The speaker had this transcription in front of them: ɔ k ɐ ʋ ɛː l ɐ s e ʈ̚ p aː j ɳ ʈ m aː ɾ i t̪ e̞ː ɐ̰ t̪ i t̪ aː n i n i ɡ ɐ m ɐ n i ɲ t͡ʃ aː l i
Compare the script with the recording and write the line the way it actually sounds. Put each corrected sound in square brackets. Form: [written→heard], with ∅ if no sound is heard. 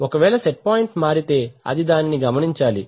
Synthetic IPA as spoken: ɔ k ɐ ʋ ɛː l ɐ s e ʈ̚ p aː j ɳ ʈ m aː ɾ i t̪ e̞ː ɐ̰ [t̪→d̪] i [t̪→d̪] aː n i n i ɡ ɐ m ɐ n i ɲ t͡ʃ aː l i